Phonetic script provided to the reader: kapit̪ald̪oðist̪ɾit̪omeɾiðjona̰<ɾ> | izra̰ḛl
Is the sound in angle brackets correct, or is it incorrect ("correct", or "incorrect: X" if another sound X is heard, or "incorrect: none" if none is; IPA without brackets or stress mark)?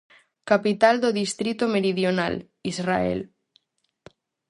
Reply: incorrect: l